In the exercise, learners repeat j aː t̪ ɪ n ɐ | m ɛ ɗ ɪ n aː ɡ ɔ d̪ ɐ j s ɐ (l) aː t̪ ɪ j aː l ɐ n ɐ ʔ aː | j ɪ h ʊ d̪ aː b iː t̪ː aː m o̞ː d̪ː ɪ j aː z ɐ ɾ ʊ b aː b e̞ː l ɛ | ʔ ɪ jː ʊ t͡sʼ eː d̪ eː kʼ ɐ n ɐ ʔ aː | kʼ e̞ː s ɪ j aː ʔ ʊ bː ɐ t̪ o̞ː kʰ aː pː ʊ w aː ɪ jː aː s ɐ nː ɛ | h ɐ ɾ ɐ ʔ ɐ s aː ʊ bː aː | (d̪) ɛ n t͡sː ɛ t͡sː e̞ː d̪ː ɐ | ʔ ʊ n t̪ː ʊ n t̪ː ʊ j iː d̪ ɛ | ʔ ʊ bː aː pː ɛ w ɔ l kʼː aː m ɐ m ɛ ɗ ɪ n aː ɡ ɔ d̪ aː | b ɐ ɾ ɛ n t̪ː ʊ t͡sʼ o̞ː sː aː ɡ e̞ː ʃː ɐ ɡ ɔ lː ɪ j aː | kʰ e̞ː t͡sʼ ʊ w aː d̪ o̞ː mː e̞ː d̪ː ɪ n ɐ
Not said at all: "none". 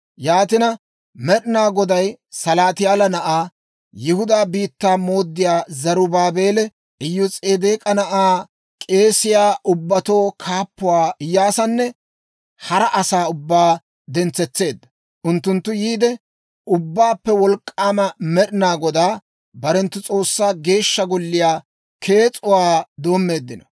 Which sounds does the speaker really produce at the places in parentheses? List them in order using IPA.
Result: l, d̪

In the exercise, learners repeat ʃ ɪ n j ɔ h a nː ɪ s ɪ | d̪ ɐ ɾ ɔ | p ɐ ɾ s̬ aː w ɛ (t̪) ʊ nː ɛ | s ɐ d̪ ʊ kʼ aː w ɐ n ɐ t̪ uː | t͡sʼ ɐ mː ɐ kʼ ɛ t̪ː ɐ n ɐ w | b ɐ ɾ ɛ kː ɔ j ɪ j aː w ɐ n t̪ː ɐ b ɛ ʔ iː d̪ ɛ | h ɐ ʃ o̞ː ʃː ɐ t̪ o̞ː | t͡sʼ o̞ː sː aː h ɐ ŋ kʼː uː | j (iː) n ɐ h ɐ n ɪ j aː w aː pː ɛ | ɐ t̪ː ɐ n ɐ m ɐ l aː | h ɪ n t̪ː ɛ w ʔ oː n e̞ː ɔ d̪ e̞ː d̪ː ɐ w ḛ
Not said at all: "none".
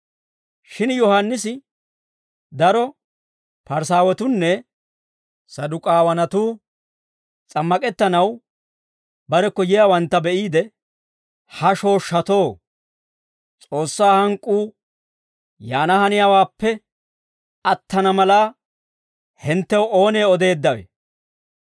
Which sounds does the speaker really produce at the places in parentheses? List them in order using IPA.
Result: t̪, aː

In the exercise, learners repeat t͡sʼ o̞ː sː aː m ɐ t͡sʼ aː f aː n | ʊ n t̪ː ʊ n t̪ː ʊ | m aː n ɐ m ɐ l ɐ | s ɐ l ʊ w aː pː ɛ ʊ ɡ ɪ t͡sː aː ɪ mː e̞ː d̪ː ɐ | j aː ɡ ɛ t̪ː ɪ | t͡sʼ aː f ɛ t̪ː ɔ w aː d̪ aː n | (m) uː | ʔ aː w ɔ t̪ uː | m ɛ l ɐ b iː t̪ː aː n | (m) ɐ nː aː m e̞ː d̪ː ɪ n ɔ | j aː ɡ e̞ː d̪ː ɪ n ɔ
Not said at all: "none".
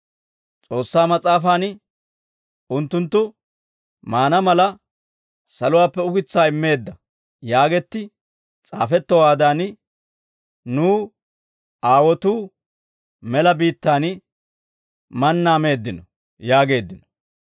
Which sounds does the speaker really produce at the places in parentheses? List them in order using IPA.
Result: n, m

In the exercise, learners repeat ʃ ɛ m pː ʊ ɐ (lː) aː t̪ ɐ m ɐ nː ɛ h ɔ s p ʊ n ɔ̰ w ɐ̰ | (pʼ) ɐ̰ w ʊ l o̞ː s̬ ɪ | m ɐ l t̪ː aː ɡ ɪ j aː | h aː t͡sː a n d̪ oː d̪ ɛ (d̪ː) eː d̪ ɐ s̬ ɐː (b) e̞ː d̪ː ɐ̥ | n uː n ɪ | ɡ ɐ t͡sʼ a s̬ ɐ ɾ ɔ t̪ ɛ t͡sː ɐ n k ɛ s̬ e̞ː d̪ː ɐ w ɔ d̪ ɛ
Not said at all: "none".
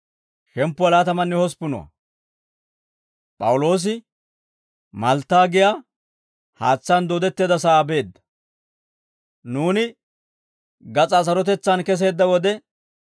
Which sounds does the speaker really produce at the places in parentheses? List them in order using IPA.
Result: l, pʼ, t̪ː, b

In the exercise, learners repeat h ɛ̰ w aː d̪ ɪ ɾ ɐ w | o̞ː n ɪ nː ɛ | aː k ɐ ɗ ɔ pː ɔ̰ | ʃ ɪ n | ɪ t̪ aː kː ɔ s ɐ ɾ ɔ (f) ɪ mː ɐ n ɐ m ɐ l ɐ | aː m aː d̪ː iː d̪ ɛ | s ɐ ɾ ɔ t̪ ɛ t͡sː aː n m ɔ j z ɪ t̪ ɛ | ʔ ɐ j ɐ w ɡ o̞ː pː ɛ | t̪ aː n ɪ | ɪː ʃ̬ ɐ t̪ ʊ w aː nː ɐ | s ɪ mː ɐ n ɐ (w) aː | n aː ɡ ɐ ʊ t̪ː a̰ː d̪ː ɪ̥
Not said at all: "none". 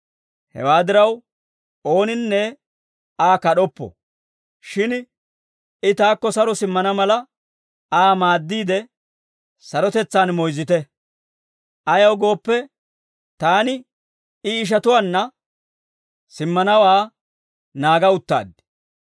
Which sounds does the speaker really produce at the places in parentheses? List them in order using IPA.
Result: s, w

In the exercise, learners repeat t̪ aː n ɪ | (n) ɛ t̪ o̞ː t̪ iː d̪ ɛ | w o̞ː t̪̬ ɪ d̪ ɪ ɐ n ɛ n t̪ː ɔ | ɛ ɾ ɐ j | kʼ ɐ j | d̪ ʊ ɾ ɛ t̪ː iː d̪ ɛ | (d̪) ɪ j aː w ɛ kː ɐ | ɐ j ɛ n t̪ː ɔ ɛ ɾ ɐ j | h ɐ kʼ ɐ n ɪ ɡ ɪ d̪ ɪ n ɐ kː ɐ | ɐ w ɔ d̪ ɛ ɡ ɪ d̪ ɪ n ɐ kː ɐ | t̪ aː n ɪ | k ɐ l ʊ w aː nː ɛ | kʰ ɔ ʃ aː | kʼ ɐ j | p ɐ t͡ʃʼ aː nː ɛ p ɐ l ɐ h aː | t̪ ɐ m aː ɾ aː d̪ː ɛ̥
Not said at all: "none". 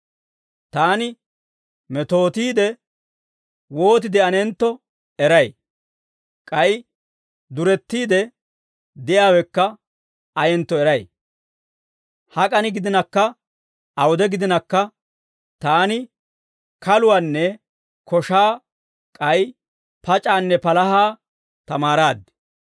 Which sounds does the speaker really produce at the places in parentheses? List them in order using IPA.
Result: m, d̪

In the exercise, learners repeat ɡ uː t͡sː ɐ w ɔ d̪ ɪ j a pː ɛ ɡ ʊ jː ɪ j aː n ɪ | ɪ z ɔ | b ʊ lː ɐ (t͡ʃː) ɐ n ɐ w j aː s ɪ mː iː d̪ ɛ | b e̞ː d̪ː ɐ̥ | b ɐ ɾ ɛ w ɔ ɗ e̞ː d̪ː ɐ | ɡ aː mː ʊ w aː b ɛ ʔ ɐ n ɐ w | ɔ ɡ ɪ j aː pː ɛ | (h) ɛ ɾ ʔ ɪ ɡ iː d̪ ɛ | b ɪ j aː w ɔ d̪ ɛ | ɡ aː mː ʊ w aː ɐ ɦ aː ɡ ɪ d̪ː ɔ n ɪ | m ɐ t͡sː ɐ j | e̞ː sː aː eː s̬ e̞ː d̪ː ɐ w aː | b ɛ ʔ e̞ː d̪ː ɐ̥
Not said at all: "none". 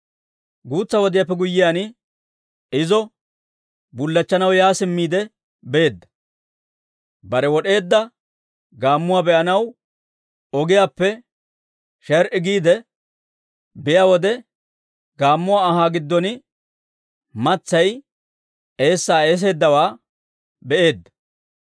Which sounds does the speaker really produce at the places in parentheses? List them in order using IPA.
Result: t͡ʃː, ʃ

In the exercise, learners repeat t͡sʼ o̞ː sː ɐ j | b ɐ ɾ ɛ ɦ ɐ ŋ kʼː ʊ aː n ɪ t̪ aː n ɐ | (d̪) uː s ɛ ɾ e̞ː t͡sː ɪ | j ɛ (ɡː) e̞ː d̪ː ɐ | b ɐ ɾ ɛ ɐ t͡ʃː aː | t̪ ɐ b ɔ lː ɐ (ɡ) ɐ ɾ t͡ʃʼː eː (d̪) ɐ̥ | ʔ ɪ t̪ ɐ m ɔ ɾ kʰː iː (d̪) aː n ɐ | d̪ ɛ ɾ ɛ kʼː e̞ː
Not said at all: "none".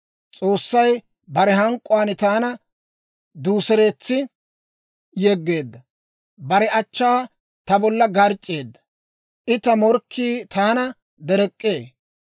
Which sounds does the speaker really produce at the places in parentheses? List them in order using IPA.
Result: d̪, ɡː, ɡ, d̪ː, t̪

